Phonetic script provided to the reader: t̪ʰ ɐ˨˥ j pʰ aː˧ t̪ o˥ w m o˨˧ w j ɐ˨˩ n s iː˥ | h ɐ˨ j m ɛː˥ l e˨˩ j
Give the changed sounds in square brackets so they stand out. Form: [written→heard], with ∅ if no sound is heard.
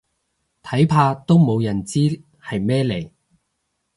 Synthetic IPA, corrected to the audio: t̪ʰ ɐ˨˥ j pʰ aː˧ t̪ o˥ w m o˨˧ w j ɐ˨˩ n [s→t͡s] iː˥ | h ɐ˨ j m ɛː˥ l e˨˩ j

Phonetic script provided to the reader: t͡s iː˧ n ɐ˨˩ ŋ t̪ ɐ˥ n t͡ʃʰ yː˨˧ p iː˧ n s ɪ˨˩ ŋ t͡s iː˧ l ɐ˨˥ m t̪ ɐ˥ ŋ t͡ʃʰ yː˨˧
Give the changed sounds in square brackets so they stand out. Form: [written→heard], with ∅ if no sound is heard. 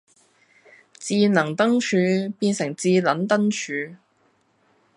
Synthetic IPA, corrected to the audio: t͡s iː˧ n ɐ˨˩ ŋ t̪ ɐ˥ [n→ŋ] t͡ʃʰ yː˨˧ p iː˧ n s ɪ˨˩ ŋ t͡s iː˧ l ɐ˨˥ [m→n] t̪ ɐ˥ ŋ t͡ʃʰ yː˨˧

